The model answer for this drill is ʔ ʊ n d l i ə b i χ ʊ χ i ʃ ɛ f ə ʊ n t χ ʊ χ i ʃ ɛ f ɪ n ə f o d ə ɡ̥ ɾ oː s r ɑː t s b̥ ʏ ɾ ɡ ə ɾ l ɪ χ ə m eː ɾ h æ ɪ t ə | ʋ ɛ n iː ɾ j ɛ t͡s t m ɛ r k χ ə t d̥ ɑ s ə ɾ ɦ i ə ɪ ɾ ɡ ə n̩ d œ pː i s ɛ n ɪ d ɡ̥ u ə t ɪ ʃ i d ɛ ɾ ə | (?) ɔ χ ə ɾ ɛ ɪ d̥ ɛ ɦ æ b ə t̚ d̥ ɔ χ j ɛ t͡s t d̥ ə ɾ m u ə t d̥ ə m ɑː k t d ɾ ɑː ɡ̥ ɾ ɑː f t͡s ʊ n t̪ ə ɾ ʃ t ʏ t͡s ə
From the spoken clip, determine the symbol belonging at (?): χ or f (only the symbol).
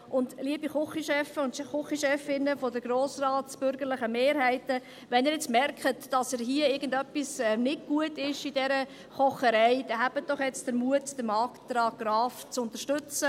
χ